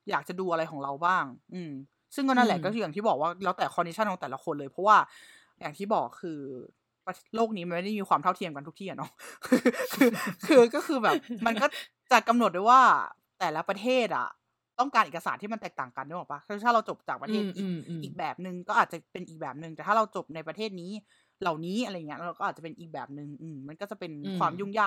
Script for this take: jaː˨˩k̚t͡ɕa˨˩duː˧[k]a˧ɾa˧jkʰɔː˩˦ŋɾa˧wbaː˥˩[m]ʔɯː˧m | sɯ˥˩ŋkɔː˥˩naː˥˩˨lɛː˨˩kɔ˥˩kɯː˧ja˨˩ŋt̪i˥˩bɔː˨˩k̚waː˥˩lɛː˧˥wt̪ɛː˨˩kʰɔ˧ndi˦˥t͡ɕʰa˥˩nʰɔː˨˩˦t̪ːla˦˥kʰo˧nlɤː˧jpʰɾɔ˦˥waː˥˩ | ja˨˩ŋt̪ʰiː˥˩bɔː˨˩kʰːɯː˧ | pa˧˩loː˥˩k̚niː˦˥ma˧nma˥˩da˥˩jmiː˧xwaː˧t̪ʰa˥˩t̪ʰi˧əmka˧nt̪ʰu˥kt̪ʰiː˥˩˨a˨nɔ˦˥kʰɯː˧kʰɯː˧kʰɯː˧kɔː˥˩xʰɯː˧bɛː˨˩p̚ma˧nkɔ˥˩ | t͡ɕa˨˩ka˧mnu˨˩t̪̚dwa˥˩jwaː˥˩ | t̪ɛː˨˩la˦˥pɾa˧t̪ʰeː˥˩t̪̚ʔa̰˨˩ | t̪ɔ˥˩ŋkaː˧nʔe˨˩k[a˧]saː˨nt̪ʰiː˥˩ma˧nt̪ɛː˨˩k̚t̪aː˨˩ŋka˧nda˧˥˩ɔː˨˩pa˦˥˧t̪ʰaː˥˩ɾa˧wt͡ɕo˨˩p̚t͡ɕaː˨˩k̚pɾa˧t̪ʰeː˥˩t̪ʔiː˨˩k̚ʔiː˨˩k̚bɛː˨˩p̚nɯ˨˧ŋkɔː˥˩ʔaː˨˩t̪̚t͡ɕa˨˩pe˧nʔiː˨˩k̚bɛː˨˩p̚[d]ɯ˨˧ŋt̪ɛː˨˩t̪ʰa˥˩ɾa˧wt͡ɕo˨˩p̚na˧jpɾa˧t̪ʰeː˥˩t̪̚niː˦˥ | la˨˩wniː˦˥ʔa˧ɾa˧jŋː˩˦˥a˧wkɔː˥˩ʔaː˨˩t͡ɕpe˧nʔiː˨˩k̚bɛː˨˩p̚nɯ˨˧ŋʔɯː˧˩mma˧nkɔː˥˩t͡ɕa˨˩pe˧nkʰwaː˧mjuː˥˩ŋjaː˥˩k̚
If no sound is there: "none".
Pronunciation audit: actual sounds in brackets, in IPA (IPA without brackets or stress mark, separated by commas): ʔ, ŋ, a˧, n